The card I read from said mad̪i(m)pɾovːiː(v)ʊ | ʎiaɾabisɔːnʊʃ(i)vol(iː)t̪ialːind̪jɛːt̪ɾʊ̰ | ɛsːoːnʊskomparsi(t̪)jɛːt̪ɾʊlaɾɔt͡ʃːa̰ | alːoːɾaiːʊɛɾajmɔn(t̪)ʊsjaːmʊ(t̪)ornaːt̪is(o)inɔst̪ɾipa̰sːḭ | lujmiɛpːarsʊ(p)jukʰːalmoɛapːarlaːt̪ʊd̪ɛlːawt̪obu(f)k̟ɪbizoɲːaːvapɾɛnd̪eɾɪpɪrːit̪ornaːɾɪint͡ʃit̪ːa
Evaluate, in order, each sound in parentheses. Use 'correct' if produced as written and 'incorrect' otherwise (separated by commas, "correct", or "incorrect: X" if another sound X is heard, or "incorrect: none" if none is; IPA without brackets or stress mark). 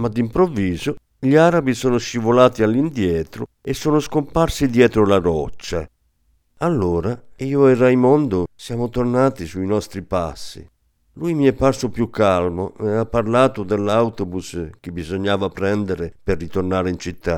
correct, incorrect: z, correct, incorrect: aː, incorrect: d̪, incorrect: d̪, correct, incorrect: u, correct, incorrect: s